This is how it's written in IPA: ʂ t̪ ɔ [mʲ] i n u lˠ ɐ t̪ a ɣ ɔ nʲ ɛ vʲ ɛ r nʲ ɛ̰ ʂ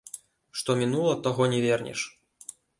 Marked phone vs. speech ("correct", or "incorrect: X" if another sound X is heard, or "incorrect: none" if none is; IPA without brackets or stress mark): correct